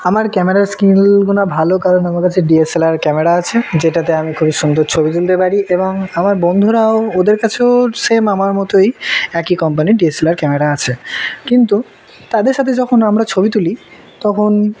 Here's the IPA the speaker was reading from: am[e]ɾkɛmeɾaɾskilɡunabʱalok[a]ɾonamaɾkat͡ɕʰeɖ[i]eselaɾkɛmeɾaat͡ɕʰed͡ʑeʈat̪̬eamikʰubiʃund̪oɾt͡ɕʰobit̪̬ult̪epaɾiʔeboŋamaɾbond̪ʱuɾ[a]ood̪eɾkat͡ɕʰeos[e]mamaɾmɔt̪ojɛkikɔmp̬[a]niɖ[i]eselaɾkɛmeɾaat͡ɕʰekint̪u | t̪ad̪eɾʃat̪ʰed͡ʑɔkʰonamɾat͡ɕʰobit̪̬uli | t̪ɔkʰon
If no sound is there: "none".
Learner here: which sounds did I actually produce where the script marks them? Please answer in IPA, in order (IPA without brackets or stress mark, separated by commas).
a, a, i, a, e, a, i